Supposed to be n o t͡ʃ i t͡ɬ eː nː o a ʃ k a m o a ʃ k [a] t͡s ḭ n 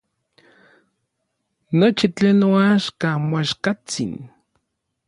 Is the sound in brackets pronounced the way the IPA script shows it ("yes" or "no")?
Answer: yes